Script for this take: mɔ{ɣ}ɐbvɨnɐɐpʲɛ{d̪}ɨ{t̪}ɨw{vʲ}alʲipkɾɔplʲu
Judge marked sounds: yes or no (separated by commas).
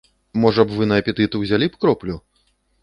no, no, yes, no